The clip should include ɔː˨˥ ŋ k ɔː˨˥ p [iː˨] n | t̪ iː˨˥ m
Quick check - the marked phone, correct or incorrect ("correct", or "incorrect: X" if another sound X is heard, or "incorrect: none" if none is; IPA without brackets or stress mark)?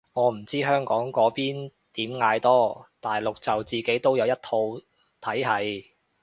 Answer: incorrect: iː˥